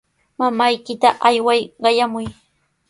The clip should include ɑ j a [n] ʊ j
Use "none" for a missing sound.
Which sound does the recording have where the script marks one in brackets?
m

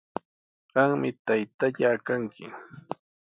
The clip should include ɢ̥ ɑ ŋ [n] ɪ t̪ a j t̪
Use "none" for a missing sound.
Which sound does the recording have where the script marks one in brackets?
m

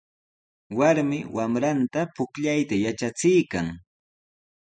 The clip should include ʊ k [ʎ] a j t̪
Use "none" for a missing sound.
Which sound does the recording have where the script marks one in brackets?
ʎ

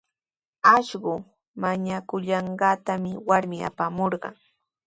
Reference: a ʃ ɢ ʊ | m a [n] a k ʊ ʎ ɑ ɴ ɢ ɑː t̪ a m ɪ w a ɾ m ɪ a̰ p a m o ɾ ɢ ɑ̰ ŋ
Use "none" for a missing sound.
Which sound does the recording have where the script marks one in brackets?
ɲ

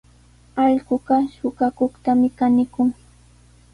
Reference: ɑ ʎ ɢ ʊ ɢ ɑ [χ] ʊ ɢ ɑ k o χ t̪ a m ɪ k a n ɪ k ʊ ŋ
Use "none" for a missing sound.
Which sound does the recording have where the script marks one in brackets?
ʃ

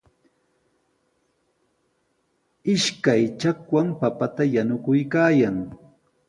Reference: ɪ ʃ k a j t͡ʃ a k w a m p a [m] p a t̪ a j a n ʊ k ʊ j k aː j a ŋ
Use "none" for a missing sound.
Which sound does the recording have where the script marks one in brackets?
none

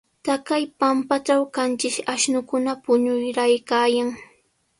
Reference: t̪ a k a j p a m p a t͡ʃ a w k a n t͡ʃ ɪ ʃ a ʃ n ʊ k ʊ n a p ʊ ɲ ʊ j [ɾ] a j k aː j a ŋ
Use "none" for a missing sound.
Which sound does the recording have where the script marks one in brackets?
ɾ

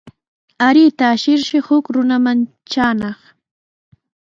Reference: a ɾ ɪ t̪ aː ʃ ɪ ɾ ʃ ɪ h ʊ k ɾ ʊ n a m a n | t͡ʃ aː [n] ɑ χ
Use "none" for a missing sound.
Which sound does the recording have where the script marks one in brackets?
n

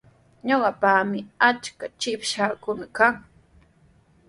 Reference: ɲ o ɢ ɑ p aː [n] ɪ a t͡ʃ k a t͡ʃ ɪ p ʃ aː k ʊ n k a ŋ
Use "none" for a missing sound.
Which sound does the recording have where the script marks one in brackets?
m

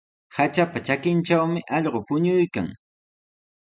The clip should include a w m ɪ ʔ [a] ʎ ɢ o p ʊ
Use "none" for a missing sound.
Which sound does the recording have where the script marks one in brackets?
ɑ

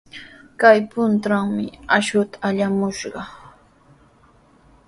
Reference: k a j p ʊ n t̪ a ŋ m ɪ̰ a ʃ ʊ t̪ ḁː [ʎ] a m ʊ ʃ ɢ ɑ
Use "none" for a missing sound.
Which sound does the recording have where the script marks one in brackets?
ʎ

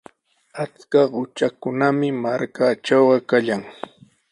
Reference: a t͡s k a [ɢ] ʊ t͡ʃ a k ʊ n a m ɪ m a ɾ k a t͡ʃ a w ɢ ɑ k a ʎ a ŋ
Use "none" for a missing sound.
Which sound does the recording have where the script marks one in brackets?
ɢ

